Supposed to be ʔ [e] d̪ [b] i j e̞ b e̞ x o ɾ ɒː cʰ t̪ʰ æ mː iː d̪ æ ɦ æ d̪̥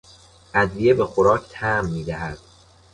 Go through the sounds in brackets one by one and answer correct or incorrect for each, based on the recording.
incorrect, incorrect

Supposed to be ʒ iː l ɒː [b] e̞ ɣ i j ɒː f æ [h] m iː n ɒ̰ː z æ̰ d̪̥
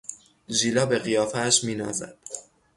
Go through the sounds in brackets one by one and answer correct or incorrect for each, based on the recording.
correct, incorrect

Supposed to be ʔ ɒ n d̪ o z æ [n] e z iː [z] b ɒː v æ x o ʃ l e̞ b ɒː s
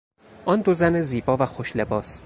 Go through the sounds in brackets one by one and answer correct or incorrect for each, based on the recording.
correct, incorrect

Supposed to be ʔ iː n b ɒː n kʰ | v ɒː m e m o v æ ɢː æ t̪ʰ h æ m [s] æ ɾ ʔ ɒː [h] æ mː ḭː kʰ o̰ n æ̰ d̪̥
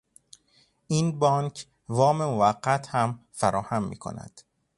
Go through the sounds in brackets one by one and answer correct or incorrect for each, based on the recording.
incorrect, correct

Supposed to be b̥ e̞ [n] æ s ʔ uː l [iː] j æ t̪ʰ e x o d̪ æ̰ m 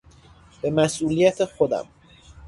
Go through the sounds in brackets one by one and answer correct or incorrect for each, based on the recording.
incorrect, incorrect

